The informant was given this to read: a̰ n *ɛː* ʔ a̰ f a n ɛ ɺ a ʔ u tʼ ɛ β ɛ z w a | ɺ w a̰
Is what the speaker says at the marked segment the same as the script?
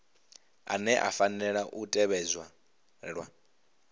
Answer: no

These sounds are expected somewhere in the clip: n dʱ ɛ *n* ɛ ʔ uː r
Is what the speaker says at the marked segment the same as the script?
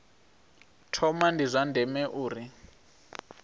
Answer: no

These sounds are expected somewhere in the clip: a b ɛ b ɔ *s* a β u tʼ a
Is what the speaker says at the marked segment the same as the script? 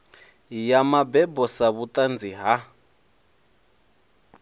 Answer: yes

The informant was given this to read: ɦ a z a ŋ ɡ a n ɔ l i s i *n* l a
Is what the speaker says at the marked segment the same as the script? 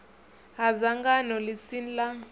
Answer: yes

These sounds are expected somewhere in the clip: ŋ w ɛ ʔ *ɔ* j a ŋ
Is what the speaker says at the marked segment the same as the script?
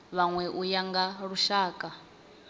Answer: no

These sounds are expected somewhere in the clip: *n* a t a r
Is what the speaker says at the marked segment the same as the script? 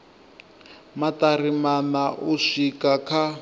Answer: no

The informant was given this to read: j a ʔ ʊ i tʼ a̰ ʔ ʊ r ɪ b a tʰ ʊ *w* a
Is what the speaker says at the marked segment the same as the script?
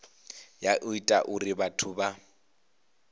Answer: no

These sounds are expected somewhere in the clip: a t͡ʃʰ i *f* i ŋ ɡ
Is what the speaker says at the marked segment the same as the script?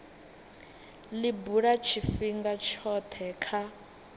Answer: yes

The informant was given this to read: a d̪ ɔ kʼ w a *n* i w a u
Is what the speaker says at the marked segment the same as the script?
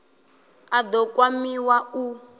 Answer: no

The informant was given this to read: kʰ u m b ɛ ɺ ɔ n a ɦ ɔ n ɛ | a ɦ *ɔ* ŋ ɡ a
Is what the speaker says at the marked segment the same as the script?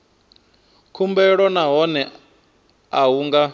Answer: no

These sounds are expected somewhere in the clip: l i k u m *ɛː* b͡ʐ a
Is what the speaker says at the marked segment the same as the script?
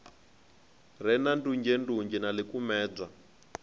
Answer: yes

